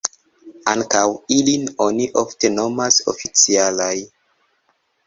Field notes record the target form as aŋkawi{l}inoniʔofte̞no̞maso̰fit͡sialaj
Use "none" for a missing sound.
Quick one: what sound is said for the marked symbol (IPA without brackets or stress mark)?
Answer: l